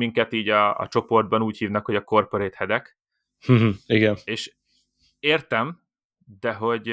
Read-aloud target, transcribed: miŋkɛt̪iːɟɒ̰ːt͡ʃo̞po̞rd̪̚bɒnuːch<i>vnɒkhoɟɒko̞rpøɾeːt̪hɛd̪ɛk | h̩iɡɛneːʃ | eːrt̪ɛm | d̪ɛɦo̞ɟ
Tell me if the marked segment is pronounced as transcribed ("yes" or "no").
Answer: no